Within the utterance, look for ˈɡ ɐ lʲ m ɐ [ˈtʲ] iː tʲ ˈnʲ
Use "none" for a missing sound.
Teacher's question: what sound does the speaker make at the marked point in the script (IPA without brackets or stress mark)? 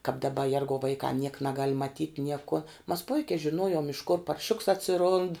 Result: tʲ